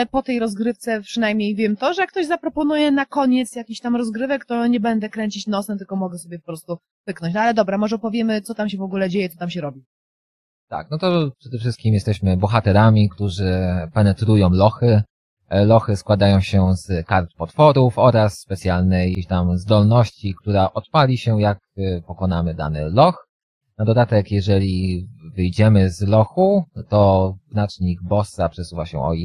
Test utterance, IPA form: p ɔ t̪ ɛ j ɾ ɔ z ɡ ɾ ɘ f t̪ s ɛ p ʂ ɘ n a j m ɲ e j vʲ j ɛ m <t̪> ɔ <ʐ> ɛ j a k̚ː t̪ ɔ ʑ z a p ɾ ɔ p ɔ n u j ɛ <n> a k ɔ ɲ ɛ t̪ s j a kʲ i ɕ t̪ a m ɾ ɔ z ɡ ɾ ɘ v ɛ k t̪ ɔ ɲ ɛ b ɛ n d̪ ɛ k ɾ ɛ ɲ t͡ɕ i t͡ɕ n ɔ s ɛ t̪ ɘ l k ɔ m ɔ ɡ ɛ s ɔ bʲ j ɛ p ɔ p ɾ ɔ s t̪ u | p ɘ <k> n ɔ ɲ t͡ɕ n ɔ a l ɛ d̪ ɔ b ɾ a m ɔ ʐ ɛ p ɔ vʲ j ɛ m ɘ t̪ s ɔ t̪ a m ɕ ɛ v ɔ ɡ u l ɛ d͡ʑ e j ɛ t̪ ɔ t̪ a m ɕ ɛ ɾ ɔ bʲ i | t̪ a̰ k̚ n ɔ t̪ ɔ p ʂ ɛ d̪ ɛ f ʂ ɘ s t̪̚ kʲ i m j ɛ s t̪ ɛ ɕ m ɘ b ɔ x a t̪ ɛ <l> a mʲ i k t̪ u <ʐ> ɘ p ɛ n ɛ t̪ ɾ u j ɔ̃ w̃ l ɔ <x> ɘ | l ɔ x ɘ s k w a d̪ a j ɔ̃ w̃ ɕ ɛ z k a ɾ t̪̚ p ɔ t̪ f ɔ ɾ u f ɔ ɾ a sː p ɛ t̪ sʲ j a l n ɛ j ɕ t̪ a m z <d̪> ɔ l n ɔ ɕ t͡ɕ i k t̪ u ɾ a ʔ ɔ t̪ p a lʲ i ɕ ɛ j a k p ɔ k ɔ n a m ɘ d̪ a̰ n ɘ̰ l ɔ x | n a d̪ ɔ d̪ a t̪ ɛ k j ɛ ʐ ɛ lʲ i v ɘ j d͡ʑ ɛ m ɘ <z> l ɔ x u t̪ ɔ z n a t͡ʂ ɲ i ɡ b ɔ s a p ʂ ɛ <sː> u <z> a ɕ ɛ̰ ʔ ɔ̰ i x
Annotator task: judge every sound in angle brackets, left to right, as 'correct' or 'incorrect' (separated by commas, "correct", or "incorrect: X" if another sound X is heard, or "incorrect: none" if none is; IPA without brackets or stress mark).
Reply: correct, correct, correct, correct, incorrect: ɾ, correct, correct, correct, correct, incorrect: s, incorrect: v